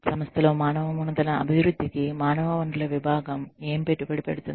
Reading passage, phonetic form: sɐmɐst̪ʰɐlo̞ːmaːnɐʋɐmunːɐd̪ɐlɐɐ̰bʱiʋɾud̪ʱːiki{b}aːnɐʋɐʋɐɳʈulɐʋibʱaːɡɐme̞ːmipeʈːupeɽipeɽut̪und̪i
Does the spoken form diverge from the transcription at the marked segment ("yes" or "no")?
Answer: yes